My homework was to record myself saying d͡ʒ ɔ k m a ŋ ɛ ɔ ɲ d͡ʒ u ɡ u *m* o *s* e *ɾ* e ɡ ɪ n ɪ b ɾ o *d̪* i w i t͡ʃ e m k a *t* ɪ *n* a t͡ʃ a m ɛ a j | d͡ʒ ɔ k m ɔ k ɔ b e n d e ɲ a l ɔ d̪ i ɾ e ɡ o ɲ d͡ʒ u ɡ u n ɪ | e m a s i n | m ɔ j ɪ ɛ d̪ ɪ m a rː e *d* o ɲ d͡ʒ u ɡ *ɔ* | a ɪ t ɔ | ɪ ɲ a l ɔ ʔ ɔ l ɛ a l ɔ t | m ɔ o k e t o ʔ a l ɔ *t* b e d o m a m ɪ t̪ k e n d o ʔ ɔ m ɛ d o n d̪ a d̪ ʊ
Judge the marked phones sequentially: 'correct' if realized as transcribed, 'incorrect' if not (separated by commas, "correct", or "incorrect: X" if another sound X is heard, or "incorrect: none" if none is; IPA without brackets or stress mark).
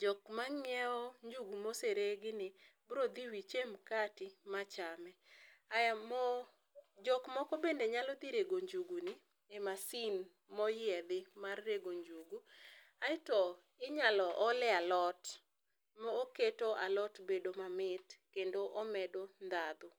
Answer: correct, correct, correct, correct, correct, incorrect: m, incorrect: ɡ, incorrect: u, correct